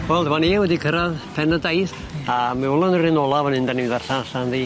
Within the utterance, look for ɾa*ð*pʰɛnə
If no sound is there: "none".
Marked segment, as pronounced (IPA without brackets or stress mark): ð